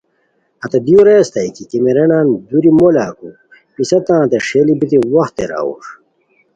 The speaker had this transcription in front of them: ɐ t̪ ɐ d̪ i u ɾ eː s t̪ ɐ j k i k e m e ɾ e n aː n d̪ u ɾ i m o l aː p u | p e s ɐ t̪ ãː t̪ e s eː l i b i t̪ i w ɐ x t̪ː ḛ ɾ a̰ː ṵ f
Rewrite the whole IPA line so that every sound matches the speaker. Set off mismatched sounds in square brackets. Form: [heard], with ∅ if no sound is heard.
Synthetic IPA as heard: ɐ t̪ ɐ d̪ i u ɾ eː s t̪ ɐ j k i k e m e ɾ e n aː n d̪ u ɾ i m o l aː [k] u | p [i] s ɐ t̪ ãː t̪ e [ʂ] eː l i b i t̪ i w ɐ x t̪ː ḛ ɾ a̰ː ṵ [ʂ]